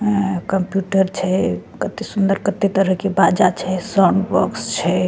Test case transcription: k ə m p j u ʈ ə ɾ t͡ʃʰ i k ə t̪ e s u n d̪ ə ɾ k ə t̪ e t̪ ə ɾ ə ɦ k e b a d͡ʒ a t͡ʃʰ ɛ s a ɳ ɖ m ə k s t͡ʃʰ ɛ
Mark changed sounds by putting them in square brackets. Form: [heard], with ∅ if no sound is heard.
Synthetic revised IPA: k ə m p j u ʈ ə ɾ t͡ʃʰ [ɛ] k ə t̪ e s u n d̪ ə ɾ k ə t̪ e t̪ ə ɾ ə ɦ k e b a d͡ʒ a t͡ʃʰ ɛ s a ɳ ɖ [b] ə k s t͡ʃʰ ɛ